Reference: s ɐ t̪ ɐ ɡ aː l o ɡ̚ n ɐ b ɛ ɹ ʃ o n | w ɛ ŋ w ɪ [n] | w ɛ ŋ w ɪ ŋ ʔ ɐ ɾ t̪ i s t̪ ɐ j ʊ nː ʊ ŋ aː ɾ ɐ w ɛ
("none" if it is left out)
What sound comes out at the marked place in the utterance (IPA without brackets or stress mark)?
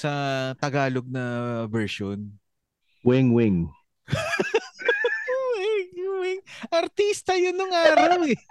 ŋ